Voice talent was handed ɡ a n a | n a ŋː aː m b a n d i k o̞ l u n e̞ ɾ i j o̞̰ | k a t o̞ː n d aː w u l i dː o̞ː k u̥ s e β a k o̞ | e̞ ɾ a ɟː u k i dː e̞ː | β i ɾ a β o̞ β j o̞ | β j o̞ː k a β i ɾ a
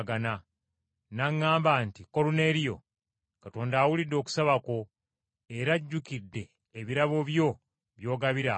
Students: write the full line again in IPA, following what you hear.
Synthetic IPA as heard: ɡ a n a | n a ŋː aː m b a n t i k o̞ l u n e̞ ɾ i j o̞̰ | k a t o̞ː n d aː w u l i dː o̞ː k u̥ s a β a k o̞ | e̞ ɾ a ɟː u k i dː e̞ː | β i ɾ a β o̞ β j o̞ | β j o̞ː ɡ a β i ɾ a